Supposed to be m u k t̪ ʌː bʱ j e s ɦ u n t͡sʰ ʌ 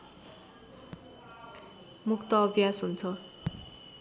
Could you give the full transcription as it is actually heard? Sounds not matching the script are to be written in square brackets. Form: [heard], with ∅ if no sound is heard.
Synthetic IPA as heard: m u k t̪ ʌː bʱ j [a] s ɦ u n t͡sʰ ʌ

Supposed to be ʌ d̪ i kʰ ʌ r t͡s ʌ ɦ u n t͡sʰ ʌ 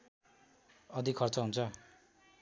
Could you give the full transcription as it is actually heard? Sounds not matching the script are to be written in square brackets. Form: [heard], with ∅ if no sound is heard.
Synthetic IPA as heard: ʌ d̪ i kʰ ʌ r t͡s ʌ ɦ u n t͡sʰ ʌ

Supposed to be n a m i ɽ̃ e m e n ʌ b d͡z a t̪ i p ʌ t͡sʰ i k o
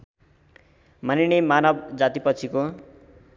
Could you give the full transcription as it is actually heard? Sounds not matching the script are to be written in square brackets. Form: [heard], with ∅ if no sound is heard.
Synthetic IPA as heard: [m] a [n] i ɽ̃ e m [a] n ʌ b d͡z a t̪ i p ʌ t͡sʰ i k o

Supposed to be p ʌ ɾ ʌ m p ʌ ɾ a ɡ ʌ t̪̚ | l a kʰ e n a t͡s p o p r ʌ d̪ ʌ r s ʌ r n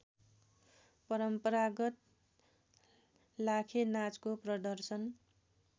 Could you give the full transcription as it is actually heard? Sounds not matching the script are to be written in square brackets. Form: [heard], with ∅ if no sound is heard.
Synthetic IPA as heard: p ʌ ɾ ʌ m p ʌ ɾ a ɡ ʌ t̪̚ | l a kʰ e n a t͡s [k] o p r ʌ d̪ ʌ r s ʌ [∅] n

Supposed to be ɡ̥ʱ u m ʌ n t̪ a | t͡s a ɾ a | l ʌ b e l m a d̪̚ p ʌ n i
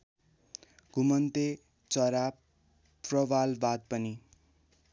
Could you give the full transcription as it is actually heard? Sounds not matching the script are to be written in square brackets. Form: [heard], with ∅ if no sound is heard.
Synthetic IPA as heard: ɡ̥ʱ u m ʌ n t̪ [e] | t͡s [ʌ] ɾ a | [r] ʌ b [a] l [b] a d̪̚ p ʌ n i

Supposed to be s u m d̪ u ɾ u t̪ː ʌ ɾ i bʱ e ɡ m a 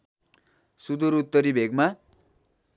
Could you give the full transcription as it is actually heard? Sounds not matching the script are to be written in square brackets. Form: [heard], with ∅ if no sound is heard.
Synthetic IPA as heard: s u [∅] d̪ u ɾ u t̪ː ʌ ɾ i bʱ e ɡ m a

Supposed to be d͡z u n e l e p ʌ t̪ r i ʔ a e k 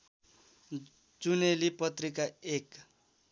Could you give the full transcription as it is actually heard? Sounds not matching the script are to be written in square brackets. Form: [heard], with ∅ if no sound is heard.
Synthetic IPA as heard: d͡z u n e l [i] p ʌ t̪ r i [k] a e k

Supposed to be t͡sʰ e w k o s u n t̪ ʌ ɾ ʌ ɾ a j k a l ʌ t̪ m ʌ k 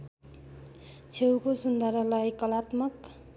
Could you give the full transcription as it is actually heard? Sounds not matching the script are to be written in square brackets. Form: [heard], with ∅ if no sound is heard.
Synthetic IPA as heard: t͡sʰ e w k o s u n [d̪] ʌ ɾ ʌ [l] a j k [ʌ] l [a] t̪ m ʌ k

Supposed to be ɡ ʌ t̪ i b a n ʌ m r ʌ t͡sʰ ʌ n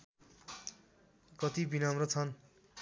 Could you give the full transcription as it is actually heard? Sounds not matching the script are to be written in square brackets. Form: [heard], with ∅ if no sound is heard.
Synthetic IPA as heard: [k] ʌ t̪ i b [i] n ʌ m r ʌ t͡sʰ ʌ n

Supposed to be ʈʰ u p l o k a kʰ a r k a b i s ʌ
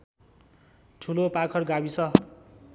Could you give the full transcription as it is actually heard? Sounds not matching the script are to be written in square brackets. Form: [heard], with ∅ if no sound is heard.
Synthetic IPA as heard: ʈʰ u [∅] l o [p] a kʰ [ʌ] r [ɡ] a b i s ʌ

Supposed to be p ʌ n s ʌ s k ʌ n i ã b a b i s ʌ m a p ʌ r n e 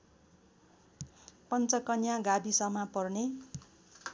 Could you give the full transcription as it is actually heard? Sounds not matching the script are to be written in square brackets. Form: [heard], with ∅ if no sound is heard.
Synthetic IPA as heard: p ʌ n [t͡s] ʌ [∅] k ʌ n [j] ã [ɡ] a b i s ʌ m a p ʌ r n e

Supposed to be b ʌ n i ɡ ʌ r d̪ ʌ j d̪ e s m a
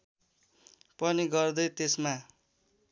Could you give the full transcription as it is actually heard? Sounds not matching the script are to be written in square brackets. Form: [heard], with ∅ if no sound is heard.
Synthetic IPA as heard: [p] ʌ n i ɡ ʌ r d̪ ʌ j [t̪] e s m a

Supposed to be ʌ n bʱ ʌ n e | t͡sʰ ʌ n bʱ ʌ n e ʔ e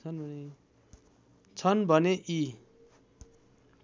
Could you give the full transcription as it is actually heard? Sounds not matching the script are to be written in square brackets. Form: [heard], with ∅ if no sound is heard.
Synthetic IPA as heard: ʌ n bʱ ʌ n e | t͡sʰ ʌ n bʱ ʌ n e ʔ [i]

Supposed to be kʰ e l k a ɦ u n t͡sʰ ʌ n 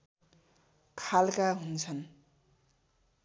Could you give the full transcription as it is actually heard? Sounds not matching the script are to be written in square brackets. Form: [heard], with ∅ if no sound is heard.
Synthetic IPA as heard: kʰ [a] l k a ɦ u n t͡sʰ ʌ n

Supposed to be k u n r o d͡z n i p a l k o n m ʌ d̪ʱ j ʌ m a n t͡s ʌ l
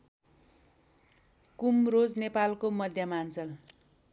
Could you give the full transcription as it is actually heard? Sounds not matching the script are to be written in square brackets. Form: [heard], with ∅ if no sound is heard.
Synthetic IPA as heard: k u [m] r o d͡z n [e] p a l k o [∅] m ʌ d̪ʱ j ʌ m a n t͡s ʌ l

